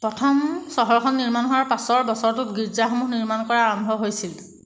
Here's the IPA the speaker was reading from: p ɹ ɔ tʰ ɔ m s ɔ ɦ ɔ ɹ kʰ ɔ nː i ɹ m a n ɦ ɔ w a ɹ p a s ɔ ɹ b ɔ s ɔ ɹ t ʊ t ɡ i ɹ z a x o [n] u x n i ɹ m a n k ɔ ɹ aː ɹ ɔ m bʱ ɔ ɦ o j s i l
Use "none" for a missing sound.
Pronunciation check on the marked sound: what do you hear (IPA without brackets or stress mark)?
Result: m